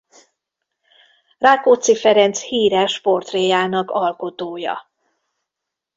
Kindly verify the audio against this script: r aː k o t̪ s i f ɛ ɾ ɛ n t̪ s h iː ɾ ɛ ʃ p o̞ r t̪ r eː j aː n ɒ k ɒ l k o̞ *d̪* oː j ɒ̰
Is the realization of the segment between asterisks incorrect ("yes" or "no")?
yes